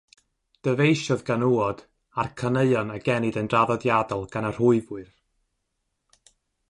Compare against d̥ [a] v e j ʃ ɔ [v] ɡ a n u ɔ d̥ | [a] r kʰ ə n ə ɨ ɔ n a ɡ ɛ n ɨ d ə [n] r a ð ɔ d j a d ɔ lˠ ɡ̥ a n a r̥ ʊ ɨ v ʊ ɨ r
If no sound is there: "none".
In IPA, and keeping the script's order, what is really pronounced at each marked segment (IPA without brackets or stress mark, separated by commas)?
ə, ð, a, n